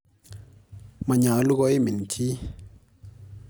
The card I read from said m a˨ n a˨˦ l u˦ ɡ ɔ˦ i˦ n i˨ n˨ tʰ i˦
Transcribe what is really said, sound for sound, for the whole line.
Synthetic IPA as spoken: m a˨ ɲ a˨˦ l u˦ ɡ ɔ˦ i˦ m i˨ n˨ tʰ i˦